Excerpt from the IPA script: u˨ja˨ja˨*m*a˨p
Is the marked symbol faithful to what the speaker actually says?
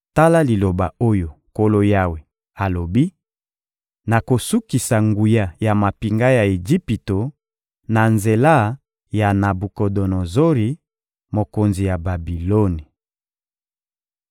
yes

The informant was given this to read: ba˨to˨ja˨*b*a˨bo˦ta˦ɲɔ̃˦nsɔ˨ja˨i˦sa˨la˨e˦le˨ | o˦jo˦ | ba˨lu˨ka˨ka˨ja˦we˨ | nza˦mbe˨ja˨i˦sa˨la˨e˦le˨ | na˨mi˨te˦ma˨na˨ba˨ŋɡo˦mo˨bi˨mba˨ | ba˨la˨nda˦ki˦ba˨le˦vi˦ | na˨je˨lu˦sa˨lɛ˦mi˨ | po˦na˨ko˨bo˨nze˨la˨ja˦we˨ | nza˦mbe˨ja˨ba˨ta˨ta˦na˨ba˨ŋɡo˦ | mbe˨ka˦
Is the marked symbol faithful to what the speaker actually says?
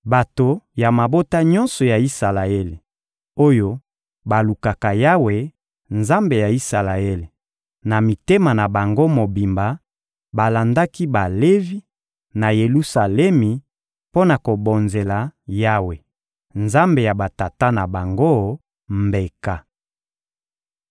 no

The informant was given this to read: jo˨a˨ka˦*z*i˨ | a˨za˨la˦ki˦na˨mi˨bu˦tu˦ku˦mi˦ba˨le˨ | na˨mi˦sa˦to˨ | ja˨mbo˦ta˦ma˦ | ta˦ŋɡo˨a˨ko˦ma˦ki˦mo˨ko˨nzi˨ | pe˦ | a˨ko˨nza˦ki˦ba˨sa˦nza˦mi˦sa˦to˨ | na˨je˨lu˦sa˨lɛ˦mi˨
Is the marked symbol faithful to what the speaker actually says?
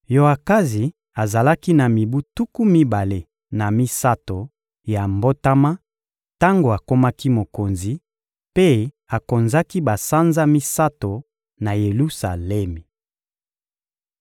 yes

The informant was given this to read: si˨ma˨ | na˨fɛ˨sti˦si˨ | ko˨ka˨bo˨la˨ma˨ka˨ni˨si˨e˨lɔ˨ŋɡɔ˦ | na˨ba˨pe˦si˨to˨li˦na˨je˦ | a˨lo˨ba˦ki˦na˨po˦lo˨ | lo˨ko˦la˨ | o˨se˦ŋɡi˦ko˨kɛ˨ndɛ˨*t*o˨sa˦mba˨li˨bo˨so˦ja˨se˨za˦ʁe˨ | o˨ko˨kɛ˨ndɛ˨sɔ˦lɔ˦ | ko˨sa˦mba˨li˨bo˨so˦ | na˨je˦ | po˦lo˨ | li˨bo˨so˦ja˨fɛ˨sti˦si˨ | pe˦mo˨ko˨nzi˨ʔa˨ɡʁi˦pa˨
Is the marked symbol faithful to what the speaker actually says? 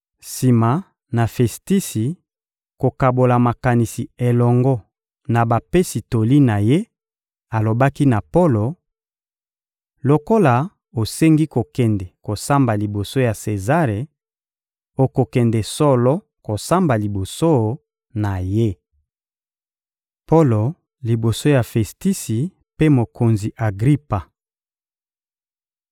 no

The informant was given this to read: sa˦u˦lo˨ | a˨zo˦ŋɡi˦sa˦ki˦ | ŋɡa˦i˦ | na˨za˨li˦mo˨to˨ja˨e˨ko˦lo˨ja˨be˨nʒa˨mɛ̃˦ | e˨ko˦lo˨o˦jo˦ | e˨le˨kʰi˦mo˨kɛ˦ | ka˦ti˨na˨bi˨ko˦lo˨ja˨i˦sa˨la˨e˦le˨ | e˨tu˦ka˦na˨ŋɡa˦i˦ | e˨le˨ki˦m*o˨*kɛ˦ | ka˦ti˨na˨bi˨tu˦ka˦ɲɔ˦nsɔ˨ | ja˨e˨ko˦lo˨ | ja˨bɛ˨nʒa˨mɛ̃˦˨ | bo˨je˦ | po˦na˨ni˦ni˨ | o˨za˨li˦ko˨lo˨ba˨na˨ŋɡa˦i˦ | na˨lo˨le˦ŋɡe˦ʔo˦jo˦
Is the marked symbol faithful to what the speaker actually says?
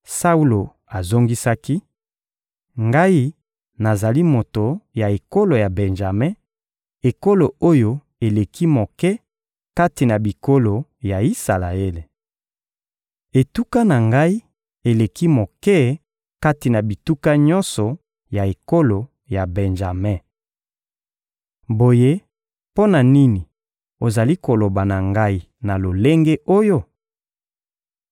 yes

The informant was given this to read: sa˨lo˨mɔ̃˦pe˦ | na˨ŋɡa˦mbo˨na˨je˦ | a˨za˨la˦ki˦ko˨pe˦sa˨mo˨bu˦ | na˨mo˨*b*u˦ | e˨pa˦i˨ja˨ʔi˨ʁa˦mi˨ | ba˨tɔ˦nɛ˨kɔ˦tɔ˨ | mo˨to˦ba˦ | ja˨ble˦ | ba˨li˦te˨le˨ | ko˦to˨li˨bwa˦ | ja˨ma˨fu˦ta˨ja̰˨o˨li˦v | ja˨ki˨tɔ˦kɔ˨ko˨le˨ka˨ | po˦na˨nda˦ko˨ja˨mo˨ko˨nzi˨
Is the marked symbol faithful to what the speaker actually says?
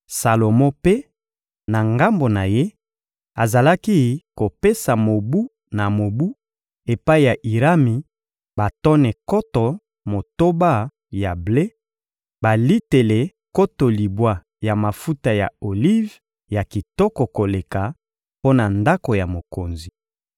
yes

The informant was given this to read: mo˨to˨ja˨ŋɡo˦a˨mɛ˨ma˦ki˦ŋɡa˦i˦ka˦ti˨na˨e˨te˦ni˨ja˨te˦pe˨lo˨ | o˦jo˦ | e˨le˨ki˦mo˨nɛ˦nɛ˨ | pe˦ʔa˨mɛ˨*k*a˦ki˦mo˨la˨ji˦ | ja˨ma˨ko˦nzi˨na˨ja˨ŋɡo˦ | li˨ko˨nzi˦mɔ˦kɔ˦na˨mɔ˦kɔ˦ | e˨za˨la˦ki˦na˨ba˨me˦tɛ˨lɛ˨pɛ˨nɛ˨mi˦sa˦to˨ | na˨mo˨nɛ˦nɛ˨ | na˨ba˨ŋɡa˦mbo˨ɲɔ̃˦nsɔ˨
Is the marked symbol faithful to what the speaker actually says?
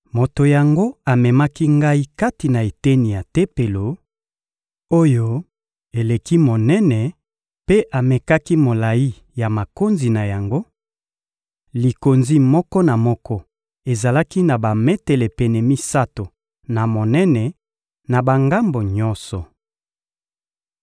yes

